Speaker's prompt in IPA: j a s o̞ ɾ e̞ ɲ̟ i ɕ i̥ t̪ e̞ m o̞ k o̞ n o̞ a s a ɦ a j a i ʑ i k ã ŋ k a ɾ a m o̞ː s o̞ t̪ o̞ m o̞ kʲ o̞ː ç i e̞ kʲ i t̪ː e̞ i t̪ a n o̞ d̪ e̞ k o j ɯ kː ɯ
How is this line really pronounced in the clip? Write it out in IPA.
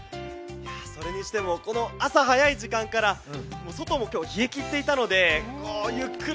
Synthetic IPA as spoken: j a s o̞ ɾ e̞ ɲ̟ i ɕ i̥ t̪ e̞ m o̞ k o̞ n o̞ a s a ɦ a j a i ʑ i k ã ŋ k a ɾ a m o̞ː s o̞ t̪ o̞ m o̞ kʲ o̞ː ç i e̞ kʲ i t̪ː e̞ i t̪ a n o̞ d̪ e̞ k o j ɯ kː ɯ